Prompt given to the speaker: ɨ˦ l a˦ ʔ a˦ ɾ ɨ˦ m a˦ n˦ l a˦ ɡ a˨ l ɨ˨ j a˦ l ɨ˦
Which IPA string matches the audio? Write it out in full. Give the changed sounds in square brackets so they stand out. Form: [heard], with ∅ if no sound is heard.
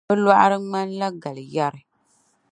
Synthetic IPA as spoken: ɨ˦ l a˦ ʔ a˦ ɾ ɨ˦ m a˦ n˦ l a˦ ɡ a˨ l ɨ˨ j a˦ [ɾ] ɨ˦

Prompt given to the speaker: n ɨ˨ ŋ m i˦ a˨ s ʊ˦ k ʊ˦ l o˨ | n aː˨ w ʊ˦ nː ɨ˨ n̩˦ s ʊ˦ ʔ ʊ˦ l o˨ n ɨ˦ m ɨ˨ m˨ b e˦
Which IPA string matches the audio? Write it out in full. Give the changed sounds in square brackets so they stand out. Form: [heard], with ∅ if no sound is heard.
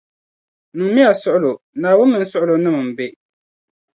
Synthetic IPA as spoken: n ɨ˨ ŋ m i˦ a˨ s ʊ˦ [ʔ] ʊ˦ l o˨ | n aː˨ w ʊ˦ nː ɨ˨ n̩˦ s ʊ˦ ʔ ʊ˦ l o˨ n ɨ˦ m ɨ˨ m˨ b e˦

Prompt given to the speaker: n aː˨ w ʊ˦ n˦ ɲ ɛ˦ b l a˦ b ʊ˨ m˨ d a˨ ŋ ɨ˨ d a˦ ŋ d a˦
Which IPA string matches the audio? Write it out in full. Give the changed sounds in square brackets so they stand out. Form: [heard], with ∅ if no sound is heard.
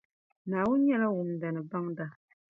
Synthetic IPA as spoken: n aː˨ w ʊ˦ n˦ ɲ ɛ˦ [∅] l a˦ [w] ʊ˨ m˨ d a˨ [n] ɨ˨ [b] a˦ ŋ d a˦

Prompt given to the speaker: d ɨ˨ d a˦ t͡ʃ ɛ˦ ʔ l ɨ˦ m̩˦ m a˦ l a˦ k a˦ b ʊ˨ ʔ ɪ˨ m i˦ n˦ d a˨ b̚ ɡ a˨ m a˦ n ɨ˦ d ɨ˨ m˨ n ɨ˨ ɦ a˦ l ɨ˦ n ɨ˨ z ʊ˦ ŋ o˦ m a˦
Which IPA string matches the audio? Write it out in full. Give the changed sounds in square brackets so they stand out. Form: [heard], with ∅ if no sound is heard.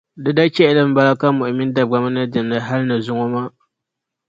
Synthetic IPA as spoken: d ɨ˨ d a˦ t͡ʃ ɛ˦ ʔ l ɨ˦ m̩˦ [b] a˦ l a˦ k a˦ [m] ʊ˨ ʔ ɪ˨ m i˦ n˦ d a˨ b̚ ɡ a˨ m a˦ n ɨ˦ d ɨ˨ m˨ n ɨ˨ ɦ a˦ l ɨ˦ n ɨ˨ z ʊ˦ ŋ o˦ m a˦

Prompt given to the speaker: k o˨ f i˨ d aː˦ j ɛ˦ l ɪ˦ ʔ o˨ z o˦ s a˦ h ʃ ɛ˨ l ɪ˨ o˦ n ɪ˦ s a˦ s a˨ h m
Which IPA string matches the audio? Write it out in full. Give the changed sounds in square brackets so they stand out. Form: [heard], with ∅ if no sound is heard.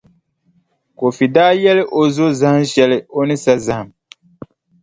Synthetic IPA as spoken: k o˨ f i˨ d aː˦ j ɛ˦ l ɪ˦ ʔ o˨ z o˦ [z] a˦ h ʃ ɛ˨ l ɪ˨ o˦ n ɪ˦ s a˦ [z] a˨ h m

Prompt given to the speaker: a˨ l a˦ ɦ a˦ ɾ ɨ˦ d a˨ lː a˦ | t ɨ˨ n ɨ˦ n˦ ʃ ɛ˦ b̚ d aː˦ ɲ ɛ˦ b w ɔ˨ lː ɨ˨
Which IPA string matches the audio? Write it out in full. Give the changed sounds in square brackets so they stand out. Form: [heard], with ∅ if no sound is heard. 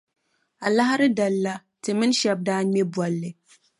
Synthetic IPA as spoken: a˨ l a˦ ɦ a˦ ɾ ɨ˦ d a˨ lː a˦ | t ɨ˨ [m] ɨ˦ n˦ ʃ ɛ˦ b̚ d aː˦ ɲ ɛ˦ b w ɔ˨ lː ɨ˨

